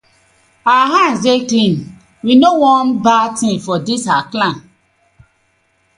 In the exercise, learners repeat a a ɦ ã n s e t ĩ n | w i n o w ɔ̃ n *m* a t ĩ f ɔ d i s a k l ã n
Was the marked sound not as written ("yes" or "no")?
yes